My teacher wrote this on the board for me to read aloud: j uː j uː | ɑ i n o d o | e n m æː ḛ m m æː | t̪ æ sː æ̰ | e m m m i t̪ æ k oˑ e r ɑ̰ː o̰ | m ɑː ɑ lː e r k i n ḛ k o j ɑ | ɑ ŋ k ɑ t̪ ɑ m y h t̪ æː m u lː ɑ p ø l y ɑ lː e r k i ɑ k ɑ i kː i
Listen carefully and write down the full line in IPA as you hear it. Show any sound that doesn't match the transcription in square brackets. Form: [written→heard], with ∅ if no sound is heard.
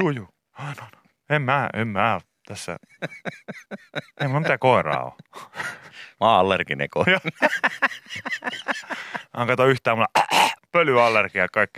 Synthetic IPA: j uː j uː | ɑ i n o [d→n] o | e [n→m] m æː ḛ m m æː | t̪ æ sː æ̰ | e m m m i t̪ æ k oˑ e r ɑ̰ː o̰ | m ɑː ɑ lː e r k i n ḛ k o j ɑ | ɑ ŋ k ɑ t̪ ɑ [m→∅] y h t̪ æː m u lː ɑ p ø l y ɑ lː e r k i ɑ k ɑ i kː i